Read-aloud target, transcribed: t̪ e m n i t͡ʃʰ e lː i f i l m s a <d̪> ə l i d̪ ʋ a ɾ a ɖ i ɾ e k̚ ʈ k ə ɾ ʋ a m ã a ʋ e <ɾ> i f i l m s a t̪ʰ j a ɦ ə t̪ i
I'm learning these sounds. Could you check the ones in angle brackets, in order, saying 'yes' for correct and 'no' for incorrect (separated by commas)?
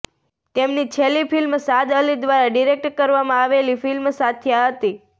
yes, no